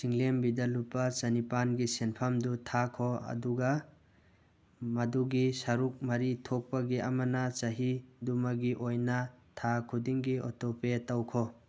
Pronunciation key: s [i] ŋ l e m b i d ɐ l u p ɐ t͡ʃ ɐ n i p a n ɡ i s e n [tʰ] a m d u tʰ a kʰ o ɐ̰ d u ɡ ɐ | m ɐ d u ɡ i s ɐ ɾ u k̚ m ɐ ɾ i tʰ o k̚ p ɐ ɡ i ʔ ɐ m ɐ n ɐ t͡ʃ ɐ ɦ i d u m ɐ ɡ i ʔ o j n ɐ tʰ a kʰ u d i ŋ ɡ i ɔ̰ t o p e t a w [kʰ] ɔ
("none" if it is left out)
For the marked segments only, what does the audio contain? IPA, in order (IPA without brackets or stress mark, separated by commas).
i, pʰ, kʰ